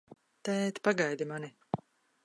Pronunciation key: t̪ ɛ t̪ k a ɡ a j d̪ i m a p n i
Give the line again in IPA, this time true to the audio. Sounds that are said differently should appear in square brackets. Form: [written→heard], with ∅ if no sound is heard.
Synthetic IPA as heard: t̪ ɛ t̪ [k→p] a ɡ a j d̪ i m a [p→∅] n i